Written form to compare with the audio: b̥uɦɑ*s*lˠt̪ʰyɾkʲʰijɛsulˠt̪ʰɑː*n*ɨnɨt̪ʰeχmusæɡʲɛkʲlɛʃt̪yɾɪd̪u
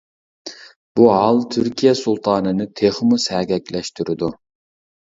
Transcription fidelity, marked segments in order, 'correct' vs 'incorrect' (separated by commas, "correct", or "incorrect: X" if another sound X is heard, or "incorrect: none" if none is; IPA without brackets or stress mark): incorrect: none, correct